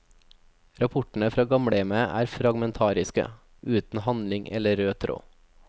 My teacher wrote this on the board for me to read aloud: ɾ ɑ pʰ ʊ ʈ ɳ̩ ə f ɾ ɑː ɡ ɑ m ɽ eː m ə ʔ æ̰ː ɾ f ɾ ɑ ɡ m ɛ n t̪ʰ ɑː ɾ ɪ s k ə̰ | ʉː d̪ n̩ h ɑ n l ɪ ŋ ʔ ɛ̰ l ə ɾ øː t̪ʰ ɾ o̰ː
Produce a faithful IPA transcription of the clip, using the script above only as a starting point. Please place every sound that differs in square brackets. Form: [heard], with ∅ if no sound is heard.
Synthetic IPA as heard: ɾ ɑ pʰ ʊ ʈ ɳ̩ ə f ɾ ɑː ɡ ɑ m ɽ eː m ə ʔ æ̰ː ɾ f ɾ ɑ ɡ m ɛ n t̪ʰ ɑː ɾ ɪ s k ə̰ | ʉː [t̪] n̩ h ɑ n l ɪ ŋ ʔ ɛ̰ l ə ɾ øː t̪ʰ ɾ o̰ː